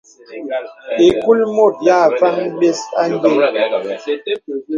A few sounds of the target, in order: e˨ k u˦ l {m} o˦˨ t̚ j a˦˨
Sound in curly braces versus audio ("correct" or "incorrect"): correct